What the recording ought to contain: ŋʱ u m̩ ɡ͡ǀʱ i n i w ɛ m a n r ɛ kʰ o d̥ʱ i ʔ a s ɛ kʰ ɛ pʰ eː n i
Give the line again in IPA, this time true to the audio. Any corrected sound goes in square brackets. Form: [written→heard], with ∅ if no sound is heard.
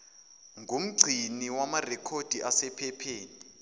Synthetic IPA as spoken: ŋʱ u m̩ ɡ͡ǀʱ i n i w [ɛ→a] m a [n→∅] r ɛ kʰ o d̥ʱ i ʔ a s ɛ [kʰ→pʰ] ɛ pʰ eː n i